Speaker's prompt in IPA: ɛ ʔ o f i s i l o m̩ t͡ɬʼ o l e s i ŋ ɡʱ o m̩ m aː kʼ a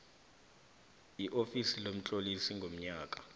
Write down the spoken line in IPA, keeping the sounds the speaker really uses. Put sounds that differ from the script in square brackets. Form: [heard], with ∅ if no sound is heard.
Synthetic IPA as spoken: [i] ʔ o f i s i l o m̩ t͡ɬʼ o l [i] s i ŋ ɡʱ o m̩ [ɲ] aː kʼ a